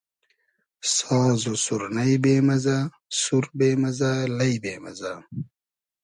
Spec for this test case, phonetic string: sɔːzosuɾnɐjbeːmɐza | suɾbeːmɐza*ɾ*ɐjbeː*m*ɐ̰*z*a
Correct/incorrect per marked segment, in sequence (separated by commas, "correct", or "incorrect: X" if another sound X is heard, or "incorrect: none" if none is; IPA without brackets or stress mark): incorrect: l, correct, correct